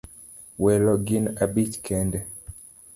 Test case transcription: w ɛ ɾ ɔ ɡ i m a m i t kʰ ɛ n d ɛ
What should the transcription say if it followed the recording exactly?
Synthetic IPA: w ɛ l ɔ ɡ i n a b i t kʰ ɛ n d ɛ